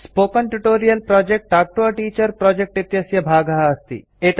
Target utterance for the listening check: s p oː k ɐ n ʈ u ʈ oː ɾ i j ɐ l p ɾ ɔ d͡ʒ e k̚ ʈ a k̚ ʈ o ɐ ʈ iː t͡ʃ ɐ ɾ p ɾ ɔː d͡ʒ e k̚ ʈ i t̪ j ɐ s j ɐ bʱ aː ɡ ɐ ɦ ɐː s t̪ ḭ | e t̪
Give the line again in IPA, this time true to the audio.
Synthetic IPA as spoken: s p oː k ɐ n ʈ u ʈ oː ɾ i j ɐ l p ɾ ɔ d͡ʒ e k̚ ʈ a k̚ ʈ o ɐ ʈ iː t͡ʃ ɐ ɾ p ɾ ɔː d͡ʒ e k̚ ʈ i t̪ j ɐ s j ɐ bʱ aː ɡ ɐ ɦ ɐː s t̪ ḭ | e t̪